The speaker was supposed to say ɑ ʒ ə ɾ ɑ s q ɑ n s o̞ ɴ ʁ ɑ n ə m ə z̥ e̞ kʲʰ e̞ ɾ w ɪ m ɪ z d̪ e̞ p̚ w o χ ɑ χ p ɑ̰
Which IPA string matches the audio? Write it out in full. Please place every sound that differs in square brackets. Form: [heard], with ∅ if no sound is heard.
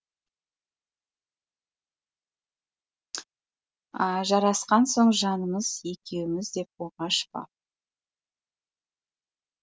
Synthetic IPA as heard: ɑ ʒ [ɑ] ɾ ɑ s q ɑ n s o̞ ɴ [ʒ] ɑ n ə m ə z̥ e̞ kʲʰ e̞ [∅] w ɪ m ɪ z d̪ e̞ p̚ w o [ʁ] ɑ [ʃ] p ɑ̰